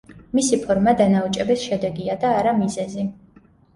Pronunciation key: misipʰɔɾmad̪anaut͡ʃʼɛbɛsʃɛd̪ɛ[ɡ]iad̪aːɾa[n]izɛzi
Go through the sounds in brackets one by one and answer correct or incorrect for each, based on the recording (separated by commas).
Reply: correct, incorrect